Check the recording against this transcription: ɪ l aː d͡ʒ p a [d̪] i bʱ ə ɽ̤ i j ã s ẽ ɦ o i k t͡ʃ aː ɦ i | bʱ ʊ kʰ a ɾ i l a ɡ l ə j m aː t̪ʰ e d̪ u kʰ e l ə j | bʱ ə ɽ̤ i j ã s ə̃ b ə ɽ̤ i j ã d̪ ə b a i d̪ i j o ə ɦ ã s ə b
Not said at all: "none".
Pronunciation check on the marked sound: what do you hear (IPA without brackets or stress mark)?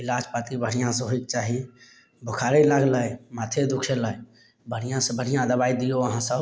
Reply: t̪